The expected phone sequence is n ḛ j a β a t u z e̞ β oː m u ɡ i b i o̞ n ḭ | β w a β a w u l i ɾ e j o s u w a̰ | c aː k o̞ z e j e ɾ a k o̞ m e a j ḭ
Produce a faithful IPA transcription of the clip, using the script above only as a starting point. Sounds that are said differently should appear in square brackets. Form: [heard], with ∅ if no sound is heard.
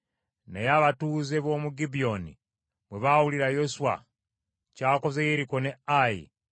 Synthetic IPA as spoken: n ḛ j a β a t u z e̞ β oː m u ɡ i b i o̞ n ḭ | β w [e] β a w u l i ɾ [a] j o s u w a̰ | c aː k o̞ z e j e ɾ [i] k o̞ [n] e a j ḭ